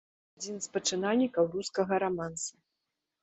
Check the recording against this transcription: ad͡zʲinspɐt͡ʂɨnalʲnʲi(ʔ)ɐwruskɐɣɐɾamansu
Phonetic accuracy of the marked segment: incorrect: k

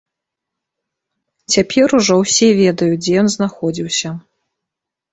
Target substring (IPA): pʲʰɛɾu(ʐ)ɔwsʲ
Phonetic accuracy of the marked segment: correct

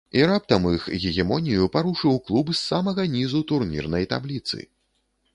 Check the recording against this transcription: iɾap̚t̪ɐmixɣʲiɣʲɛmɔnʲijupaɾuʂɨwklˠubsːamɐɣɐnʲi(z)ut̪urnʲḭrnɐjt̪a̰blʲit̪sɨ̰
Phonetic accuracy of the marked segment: correct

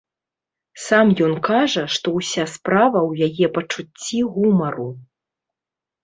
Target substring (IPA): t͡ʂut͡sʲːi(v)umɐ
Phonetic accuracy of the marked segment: incorrect: ɣ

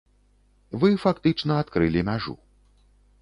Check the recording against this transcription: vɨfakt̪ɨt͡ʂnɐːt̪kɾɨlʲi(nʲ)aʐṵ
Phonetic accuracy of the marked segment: incorrect: mʲ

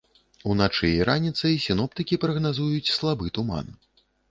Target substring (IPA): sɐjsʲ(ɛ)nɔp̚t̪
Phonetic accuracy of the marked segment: incorrect: i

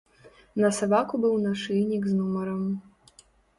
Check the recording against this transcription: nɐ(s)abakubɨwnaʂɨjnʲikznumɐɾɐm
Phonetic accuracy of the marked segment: correct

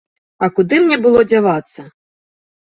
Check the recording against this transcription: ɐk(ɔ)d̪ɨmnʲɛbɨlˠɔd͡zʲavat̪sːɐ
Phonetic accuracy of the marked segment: incorrect: u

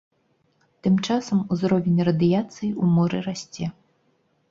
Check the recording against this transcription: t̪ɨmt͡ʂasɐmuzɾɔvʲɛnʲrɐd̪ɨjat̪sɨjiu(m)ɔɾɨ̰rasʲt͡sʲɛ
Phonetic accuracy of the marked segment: correct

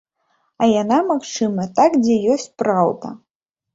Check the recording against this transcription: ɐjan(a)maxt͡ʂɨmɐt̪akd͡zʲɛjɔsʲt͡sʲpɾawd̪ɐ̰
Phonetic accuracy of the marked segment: correct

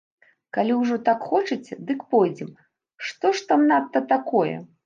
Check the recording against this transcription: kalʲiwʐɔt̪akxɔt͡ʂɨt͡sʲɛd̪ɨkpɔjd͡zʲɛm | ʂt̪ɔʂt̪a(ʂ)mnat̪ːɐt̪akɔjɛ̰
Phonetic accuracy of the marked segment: incorrect: none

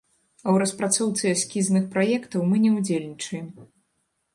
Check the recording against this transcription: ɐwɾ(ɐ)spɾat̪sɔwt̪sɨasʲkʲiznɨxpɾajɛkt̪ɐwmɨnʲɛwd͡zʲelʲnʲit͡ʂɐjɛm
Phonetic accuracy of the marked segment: correct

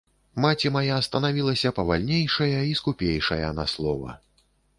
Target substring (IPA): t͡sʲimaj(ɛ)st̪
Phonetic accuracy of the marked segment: incorrect: a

